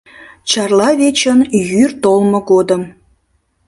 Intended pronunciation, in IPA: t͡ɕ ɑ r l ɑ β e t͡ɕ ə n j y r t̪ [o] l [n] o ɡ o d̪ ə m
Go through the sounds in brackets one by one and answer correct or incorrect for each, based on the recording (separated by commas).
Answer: correct, incorrect